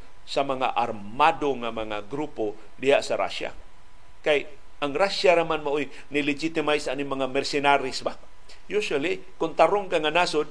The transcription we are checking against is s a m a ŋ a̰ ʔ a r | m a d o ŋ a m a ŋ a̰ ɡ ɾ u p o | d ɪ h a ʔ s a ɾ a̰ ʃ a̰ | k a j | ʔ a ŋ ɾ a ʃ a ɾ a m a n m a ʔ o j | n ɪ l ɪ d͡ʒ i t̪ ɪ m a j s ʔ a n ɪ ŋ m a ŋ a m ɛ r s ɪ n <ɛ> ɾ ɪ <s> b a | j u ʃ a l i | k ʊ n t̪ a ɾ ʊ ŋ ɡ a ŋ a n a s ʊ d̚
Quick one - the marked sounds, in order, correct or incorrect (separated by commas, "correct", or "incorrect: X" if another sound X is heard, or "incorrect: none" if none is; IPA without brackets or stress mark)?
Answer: incorrect: a, correct